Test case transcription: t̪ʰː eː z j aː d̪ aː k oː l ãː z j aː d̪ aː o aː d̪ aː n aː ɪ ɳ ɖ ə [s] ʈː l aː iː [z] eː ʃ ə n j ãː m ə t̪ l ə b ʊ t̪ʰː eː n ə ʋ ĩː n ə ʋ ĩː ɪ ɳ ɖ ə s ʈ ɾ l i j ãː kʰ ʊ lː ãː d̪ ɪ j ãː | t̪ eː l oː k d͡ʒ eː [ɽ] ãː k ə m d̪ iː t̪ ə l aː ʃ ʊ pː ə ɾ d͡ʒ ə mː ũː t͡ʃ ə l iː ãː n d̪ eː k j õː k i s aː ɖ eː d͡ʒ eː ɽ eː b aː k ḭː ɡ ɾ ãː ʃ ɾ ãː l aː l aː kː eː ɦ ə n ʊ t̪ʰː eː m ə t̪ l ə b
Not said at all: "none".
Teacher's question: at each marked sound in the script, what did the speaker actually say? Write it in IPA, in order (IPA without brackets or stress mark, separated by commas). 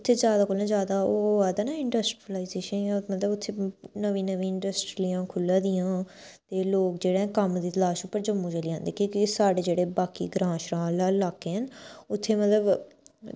s, z, ɽ